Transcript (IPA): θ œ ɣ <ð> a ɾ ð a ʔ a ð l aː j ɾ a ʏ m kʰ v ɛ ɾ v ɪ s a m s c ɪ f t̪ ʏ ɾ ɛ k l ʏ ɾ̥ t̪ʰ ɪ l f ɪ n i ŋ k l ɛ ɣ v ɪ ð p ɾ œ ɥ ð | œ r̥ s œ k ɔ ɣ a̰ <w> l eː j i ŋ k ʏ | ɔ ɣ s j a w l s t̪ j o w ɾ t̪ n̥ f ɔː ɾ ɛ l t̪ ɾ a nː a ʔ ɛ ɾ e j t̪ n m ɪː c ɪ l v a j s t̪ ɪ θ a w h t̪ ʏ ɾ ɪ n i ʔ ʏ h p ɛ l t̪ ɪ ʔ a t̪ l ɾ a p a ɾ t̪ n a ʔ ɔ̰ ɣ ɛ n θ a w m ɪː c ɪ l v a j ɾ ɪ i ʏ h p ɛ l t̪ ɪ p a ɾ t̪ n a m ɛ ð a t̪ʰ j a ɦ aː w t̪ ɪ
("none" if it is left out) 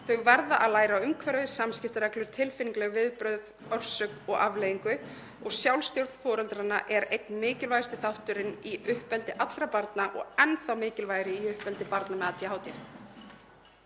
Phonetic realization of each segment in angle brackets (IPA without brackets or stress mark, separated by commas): v, v